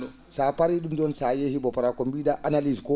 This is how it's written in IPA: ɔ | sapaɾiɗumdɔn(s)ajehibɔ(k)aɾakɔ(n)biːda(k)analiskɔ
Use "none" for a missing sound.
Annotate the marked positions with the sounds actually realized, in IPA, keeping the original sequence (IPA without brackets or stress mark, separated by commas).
s, p, m, ʔ